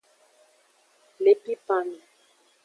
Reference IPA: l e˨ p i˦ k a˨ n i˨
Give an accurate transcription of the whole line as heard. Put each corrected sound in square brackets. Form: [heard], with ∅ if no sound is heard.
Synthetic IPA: l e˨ p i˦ [p] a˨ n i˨